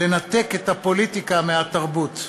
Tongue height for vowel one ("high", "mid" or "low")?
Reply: mid